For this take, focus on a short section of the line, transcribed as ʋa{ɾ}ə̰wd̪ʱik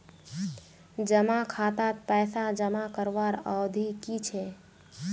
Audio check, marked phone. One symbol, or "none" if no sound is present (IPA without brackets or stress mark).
ɾ